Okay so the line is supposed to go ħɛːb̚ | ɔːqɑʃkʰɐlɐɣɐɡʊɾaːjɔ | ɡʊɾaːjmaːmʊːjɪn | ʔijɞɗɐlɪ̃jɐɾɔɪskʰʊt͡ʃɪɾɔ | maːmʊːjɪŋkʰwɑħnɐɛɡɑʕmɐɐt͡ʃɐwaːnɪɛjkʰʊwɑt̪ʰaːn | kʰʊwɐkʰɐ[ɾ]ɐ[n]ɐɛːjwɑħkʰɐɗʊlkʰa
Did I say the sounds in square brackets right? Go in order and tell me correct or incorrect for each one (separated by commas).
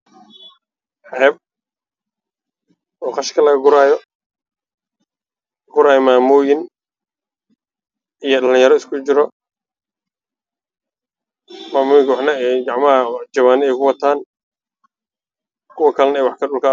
incorrect, correct